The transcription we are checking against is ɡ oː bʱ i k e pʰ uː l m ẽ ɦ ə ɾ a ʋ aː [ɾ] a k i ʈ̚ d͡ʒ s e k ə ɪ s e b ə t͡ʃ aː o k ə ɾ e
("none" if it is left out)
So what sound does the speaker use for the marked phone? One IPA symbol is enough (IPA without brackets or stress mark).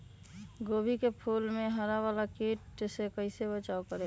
l